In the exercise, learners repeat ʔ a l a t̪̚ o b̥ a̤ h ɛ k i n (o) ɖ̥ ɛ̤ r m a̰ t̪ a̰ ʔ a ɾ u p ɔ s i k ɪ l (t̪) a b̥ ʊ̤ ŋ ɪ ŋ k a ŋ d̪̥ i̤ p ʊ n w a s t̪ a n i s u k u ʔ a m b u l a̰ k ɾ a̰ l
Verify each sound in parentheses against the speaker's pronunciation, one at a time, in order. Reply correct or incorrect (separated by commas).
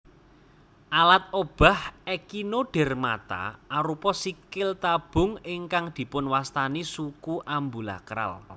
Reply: correct, correct